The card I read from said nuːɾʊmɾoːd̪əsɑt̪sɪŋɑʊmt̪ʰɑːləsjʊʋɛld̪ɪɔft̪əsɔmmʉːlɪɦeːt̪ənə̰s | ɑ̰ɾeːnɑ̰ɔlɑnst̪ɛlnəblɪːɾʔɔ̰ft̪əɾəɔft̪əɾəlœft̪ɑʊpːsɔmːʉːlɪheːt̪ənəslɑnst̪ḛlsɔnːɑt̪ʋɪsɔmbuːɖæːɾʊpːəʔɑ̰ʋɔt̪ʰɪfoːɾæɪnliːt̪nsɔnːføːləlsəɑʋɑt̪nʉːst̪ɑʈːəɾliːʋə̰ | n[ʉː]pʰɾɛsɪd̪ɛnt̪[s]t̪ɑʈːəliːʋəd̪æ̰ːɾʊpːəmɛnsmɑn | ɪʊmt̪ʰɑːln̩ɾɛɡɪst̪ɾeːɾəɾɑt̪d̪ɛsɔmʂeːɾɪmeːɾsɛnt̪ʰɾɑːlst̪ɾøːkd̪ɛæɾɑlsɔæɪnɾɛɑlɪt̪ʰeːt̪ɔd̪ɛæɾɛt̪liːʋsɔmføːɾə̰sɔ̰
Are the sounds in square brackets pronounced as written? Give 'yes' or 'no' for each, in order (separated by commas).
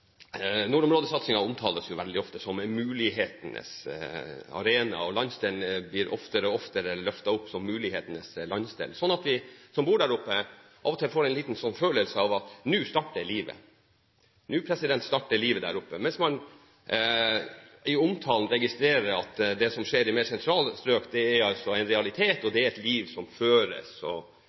yes, yes